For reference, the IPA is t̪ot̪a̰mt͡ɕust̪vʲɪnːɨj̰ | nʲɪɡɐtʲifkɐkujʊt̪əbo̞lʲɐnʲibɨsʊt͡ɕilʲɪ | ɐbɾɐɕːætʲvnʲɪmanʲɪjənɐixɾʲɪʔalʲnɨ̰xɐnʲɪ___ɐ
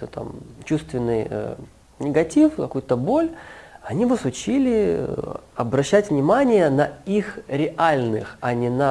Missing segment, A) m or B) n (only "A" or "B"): B